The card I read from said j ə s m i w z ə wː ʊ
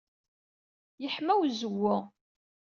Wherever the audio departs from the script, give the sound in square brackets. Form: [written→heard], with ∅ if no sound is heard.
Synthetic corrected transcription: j ə [s→ħ] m [i→æ] w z ə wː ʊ